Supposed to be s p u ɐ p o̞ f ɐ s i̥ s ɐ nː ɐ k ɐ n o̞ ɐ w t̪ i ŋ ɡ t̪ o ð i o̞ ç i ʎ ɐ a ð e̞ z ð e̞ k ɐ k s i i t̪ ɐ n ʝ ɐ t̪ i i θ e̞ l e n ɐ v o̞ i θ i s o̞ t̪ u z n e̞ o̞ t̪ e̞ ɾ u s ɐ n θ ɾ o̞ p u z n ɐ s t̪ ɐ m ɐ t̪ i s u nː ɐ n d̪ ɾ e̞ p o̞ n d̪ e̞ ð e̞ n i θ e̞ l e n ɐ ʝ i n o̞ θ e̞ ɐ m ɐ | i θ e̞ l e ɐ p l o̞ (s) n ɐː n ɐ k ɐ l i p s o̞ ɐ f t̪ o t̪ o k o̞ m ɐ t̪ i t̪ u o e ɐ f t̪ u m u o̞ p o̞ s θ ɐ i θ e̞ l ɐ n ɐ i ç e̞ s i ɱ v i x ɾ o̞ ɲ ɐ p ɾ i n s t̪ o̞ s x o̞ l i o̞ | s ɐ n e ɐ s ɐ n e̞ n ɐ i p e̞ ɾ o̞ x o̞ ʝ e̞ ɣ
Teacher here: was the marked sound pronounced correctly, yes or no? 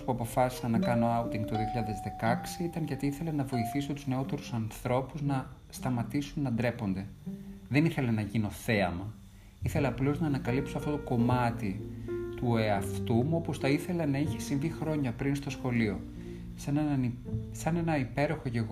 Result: no